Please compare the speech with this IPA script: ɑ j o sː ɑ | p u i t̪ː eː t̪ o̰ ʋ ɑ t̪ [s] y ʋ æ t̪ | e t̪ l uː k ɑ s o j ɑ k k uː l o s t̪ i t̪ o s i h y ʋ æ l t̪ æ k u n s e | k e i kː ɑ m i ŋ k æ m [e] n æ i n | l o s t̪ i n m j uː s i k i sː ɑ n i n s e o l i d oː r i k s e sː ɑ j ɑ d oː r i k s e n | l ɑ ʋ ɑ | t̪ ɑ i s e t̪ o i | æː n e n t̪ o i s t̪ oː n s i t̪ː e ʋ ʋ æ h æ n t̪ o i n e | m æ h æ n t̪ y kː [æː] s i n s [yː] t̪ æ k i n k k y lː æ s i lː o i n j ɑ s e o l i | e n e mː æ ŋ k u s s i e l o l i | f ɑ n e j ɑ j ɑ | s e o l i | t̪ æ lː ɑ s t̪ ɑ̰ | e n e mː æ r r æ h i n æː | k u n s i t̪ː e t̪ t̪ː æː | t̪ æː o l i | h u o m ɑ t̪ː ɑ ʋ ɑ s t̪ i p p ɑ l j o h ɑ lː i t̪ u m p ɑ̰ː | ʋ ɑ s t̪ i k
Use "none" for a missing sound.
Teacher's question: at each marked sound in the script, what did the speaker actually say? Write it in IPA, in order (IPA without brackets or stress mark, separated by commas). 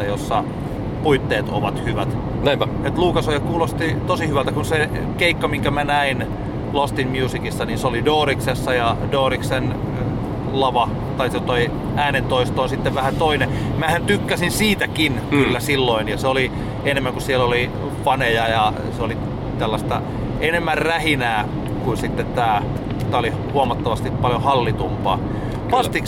h, æ, æ, iː